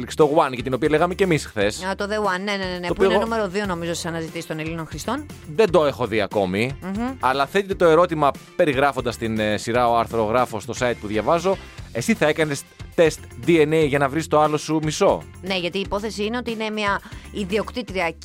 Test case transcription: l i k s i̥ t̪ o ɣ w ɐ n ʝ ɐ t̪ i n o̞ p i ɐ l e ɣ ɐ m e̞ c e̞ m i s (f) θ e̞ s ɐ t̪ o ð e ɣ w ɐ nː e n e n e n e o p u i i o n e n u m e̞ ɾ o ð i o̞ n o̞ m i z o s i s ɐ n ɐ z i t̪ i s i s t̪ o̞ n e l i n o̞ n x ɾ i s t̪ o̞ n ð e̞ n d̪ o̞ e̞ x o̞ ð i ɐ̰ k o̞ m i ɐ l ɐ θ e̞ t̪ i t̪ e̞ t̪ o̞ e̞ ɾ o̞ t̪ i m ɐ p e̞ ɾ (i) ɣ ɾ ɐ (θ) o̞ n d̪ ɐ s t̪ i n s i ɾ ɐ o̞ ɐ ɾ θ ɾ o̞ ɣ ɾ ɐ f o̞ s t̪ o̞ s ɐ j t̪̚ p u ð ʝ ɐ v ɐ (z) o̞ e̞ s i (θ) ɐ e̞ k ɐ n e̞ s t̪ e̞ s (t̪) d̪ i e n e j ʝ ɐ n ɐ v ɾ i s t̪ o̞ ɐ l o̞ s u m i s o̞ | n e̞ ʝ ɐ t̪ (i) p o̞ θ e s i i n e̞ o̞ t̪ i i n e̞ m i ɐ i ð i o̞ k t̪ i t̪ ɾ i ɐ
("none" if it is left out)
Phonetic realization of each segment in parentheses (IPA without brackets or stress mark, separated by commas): x, i, f, z, θ, t̪, iː